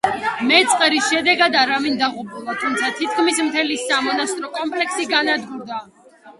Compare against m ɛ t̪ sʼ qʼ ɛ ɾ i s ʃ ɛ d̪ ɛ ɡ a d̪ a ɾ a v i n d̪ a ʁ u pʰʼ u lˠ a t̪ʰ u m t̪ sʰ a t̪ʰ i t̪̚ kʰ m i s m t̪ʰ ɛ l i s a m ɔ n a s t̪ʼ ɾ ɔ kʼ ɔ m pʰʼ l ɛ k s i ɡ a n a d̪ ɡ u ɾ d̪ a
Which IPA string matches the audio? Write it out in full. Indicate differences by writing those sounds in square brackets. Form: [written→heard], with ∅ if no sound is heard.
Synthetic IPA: m ɛ t̪ sʼ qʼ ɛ ɾ i s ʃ ɛ d̪ ɛ ɡ a d̪ a ɾ a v i n d̪ a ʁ u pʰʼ u lˠ a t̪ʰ u m t̪ sʰ a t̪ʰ i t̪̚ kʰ m i s m t̪ʰ ɛ l i s a m ɔ n a s t̪ʼ ɾ ɔ kʼ ɔ m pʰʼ l ɛ k s i ɡ a n a d̪ ɡ u ɾ d̪ a

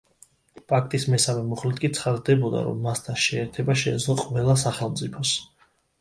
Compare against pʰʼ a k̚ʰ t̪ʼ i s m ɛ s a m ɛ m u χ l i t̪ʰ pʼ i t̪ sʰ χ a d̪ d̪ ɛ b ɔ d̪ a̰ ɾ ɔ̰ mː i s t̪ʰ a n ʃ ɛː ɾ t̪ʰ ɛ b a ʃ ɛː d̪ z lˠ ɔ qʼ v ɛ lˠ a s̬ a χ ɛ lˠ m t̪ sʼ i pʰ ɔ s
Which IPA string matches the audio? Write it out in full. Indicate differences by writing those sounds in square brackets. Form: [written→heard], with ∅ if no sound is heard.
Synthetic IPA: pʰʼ a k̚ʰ t̪ʼ i s m ɛ s a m ɛ m u χ l i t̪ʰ [pʼ→kʼ] i t̪ sʰ χ a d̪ d̪ ɛ b ɔ d̪ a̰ ɾ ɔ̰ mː [i→a] s t̪ʰ a n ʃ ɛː ɾ t̪ʰ ɛ b a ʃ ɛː d̪ z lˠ ɔ qʼ v ɛ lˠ a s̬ a χ ɛ lˠ m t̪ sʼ i pʰ ɔ s

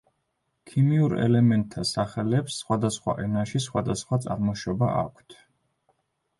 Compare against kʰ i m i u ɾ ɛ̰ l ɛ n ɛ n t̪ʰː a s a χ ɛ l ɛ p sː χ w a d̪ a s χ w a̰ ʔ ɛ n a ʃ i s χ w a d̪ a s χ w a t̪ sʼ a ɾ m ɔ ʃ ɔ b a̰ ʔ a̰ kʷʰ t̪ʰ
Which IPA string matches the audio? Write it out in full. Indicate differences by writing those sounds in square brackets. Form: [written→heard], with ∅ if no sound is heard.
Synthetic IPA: kʰ i m i u ɾ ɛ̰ l ɛ [n→m] ɛ n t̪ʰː a s a χ ɛ l ɛ p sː χ w a d̪ a s χ w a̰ ʔ ɛ n a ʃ i s χ w a d̪ a s χ w a t̪ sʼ a ɾ m ɔ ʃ ɔ b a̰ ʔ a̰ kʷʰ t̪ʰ

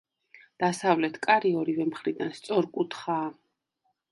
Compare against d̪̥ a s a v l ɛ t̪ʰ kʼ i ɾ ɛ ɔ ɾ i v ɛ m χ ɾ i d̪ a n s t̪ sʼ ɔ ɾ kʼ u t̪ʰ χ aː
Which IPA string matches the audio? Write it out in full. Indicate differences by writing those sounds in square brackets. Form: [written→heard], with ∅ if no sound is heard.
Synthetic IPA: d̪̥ a s a v l ɛ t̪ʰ kʼ [i→a] ɾ [ɛ→i] ɔ ɾ i v ɛ m χ ɾ i d̪ a n s t̪ sʼ ɔ ɾ kʼ u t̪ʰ χ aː

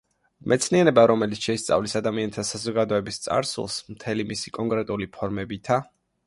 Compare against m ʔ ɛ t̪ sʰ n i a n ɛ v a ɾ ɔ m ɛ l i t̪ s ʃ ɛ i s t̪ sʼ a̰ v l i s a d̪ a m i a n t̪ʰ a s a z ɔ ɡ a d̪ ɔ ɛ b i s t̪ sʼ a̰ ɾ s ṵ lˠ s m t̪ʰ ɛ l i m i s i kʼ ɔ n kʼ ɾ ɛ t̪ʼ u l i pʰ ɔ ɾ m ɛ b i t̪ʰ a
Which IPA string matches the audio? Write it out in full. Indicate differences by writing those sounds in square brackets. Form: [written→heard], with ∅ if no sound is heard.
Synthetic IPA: m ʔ ɛ t̪ sʰ n i a n ɛ [v→b] a ɾ ɔ m ɛ l i t̪ s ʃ ɛ i s t̪ sʼ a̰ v l i s a d̪ a m i a n t̪ʰ a s a z ɔ ɡ a d̪ ɔ ɛ b i s t̪ sʼ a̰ ɾ s ṵ lˠ s m t̪ʰ ɛ l i m i s i kʼ ɔ [n→ŋ] kʼ ɾ ɛ t̪ʼ u l i pʰ ɔ ɾ m ɛ b i t̪ʰ a

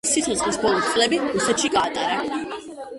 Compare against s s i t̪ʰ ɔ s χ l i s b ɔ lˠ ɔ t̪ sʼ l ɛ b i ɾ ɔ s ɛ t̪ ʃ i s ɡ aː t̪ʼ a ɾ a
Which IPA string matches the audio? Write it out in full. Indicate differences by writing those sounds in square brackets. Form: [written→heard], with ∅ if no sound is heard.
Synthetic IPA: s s i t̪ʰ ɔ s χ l i s b ɔ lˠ ɔ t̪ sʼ l ɛ b i ɾ [ɔ→u] s ɛ t̪ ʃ i [s→∅] ɡ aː t̪ʼ a ɾ a

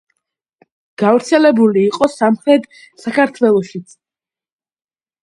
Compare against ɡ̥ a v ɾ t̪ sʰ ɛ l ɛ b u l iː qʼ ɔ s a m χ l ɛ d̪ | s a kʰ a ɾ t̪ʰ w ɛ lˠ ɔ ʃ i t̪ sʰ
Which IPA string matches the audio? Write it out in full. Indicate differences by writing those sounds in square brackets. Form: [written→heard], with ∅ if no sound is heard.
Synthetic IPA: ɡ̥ a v ɾ t̪ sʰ ɛ l ɛ b u l iː qʼ ɔ s a m χ [l→ɾ] ɛ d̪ | s a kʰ a ɾ t̪ʰ w ɛ lˠ ɔ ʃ i t̪ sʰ

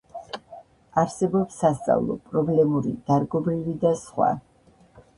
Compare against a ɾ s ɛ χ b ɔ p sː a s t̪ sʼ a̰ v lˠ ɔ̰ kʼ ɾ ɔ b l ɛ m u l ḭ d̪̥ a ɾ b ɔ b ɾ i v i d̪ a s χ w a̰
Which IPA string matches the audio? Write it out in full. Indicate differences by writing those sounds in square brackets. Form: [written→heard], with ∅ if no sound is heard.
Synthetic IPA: a ɾ s ɛ [χ→∅] b ɔ p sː a s t̪ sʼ a̰ v lˠ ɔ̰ [kʼ→pʼ] ɾ ɔ b l ɛ m u [l→ɾ] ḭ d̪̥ a ɾ [b→ɡ] ɔ b ɾ i v i d̪ a s χ w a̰

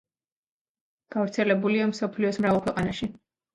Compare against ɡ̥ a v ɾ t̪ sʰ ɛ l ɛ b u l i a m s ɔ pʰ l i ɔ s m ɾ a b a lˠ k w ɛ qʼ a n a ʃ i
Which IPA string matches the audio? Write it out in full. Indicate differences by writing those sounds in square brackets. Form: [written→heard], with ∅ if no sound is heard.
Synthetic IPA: ɡ̥ a v ɾ t̪ sʰ ɛ l ɛ b u l i a m s ɔ pʰ l i ɔ s m ɾ a [b→v] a lˠ k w ɛ qʼ a n a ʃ i

